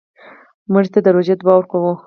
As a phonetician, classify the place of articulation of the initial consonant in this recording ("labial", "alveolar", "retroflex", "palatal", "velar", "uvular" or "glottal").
labial